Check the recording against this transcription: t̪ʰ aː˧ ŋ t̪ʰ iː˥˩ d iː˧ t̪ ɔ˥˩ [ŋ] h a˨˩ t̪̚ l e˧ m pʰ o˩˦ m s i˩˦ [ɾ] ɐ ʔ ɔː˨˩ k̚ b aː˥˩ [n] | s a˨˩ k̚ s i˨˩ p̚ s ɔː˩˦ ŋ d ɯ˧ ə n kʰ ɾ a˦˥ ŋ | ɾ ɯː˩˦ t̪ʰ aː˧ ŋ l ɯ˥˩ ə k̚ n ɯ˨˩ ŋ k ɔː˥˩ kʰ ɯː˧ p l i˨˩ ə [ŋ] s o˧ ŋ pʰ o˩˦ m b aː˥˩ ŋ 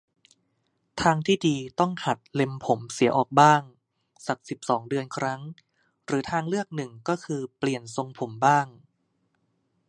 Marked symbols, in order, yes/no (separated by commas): yes, no, no, no